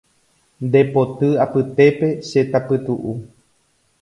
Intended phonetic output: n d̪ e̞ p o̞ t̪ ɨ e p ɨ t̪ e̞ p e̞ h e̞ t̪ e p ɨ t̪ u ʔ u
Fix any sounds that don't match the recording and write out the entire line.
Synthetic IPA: n d̪ e̞ p o̞ t̪ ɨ a p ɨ t̪ e̞ p e̞ ʃ e̞ t̪ a p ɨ t̪ u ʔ u